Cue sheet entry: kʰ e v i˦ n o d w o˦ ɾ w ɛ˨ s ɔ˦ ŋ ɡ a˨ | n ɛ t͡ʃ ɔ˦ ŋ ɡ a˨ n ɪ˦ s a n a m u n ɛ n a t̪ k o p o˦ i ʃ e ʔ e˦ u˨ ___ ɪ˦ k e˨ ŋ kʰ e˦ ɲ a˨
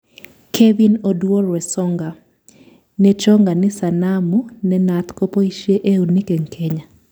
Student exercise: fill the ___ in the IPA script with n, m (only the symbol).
n